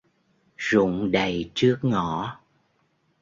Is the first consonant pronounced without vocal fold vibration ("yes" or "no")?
no